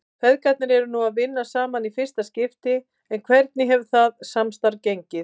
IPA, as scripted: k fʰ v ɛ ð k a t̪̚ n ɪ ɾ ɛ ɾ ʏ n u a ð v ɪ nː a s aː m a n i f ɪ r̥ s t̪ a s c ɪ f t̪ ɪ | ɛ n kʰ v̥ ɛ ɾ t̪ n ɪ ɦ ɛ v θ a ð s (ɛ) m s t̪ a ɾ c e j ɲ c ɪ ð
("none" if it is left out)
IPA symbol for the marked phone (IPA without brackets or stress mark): a